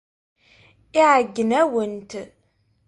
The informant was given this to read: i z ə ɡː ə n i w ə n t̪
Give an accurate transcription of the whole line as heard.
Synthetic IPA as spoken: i ʕ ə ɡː ə n æ w ə n t̪